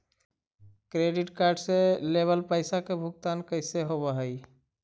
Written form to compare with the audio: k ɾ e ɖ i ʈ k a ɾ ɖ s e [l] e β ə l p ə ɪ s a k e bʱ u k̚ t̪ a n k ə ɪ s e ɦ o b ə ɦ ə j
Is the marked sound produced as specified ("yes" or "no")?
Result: yes